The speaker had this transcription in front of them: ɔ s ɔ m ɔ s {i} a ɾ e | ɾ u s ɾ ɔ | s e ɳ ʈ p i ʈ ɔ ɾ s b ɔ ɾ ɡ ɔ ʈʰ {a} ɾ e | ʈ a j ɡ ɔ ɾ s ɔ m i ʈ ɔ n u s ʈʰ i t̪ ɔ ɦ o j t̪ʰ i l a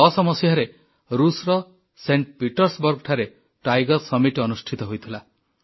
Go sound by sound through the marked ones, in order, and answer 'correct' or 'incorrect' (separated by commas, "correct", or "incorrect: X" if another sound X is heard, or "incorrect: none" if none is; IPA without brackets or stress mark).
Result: incorrect: j, correct